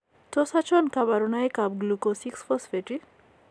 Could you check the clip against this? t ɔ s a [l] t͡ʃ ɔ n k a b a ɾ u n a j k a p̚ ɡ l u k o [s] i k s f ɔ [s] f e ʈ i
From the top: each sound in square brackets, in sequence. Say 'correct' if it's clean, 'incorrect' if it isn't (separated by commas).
incorrect, correct, correct